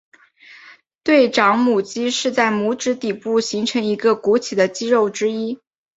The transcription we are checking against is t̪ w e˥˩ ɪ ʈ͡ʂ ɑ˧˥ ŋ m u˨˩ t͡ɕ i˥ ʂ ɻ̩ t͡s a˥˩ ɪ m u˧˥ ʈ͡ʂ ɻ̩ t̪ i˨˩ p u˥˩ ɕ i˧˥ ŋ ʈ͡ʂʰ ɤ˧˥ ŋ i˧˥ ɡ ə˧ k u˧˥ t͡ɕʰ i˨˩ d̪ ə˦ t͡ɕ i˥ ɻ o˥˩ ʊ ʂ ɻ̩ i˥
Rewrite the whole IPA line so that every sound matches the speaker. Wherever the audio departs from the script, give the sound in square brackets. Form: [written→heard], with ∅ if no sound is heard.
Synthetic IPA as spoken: t̪ w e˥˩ ɪ ʈ͡ʂ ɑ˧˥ ŋ m u˨˩ t͡ɕ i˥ ʂ ɻ̩ t͡s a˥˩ ɪ m u˧˥ ʈ͡ʂ ɻ̩ t̪ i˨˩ p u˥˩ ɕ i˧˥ ŋ ʈ͡ʂʰ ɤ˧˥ ŋ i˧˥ ɡ ə˧ k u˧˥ t͡ɕʰ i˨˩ d̪ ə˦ t͡ɕ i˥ ɻ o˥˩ ʊ [ʂ→ʈ͡ʂ] ɻ̩ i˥